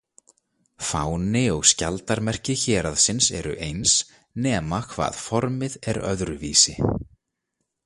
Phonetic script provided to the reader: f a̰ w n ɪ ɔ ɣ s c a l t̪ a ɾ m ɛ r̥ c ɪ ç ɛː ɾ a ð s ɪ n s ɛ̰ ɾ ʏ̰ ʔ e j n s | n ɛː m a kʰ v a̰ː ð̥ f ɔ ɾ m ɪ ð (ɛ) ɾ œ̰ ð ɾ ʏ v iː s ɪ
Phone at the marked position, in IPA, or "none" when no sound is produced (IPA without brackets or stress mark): ɛ